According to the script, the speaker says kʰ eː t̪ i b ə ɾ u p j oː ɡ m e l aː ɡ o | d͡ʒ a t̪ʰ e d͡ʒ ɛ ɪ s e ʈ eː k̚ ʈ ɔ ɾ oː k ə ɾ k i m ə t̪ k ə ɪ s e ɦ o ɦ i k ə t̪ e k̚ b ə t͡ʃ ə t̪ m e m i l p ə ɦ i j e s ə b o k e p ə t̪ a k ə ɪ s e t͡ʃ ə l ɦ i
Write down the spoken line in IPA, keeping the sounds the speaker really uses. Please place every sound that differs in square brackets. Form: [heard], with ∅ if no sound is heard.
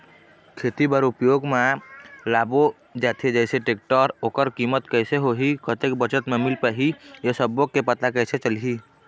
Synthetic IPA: kʰ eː t̪ i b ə ɾ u p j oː ɡ m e l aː [b] o | d͡ʒ a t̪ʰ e d͡ʒ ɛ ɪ s e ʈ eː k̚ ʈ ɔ ɾ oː k ə ɾ k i m ə t̪ k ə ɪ s e ɦ o ɦ i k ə t̪ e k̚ b ə t͡ʃ ə t̪ m e m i l p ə ɦ i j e s ə b o k e p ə t̪ a k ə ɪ s e t͡ʃ ə l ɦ i